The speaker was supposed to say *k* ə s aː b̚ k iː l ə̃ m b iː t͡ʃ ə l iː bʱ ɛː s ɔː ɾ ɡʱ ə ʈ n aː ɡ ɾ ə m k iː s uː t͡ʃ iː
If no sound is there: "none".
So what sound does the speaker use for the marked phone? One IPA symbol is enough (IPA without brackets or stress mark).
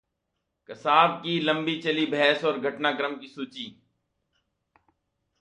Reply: k